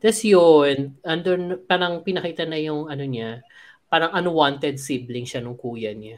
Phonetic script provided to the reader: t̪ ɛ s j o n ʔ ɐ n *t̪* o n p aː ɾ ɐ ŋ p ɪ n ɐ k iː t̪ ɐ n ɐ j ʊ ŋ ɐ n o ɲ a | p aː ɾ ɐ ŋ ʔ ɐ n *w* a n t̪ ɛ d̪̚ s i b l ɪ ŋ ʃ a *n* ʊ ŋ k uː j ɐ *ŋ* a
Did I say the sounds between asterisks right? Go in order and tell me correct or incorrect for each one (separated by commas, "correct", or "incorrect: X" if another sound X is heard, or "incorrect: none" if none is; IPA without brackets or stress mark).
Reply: incorrect: d̪, correct, correct, incorrect: ɲ